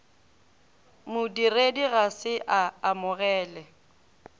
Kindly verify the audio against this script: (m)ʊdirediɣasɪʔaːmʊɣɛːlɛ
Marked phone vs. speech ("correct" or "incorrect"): correct